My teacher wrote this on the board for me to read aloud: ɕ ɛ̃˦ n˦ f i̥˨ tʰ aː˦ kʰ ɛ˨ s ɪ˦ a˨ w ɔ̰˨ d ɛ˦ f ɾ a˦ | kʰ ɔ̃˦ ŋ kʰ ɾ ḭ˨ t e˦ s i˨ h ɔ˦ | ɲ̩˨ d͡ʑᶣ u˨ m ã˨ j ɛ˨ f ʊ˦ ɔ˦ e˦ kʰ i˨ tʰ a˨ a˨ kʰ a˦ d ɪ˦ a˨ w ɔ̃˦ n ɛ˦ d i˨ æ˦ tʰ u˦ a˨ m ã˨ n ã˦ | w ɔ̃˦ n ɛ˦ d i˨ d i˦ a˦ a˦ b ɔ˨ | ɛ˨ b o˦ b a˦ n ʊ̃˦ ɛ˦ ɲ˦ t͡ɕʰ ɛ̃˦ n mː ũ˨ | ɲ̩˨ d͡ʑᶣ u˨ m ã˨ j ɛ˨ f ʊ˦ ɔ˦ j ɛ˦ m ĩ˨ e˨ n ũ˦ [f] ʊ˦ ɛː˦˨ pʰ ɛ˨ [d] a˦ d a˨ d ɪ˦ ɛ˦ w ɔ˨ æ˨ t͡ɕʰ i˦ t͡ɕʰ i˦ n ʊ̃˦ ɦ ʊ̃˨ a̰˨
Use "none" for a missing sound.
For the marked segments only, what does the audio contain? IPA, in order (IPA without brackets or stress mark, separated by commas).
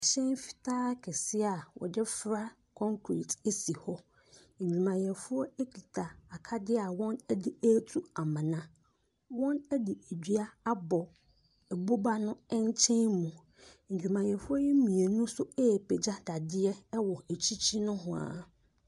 s, d͡ʑ